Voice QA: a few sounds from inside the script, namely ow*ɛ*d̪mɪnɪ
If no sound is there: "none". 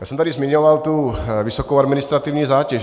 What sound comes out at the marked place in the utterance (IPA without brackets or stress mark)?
a